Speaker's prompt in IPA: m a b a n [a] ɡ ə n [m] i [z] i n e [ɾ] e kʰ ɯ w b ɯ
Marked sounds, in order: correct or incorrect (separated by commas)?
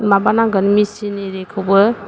correct, correct, incorrect, correct